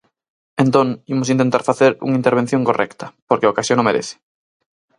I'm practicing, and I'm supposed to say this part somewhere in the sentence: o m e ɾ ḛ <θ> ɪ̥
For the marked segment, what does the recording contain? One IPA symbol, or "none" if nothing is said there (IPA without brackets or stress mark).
θ